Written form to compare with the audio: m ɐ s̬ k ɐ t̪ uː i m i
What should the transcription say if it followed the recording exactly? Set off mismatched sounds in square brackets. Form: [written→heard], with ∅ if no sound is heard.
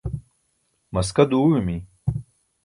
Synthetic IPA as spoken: m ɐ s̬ k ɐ [t̪→d̪] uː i m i